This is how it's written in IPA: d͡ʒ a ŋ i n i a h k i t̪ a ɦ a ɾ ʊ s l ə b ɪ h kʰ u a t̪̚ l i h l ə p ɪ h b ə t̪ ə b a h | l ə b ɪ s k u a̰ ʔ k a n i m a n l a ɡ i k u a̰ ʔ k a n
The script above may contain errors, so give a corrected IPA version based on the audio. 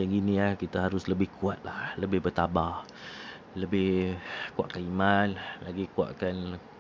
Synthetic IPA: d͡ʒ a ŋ i n i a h k i t̪ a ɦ a ɾ ʊ s l ə b ɪ h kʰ u a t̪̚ l a h l ə b ɪ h b ə t̪ a b a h | l ə b ɪ h k u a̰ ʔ k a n i m a n l a ɡ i k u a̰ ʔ k a n